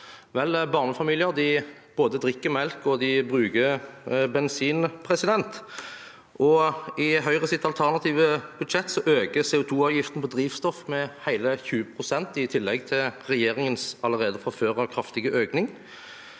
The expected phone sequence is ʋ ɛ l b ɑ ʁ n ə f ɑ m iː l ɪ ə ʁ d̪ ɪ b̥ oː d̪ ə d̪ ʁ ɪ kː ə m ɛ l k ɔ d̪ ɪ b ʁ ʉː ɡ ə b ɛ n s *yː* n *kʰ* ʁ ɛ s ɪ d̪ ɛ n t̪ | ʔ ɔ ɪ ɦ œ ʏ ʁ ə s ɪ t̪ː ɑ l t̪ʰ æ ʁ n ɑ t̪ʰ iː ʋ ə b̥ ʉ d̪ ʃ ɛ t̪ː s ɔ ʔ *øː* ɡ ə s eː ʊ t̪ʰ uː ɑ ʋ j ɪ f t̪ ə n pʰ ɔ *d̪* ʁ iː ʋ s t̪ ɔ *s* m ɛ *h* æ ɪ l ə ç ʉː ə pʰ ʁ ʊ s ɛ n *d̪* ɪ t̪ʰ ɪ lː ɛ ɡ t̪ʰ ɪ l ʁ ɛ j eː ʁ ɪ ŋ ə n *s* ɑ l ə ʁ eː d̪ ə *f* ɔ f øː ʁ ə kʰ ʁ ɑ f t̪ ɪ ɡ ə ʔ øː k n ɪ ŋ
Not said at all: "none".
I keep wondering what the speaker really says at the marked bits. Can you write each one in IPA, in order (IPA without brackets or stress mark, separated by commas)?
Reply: iː, pʰ, øː, d̪, f, h, t̪, s, f